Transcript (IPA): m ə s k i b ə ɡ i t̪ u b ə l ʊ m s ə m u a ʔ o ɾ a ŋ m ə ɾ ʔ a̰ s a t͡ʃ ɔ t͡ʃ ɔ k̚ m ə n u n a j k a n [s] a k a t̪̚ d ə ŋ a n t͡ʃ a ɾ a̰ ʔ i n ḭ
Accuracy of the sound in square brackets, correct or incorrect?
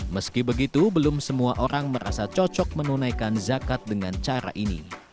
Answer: incorrect